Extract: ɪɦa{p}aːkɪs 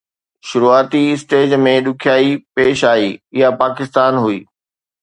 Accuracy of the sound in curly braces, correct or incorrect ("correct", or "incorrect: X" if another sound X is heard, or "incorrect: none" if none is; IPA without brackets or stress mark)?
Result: correct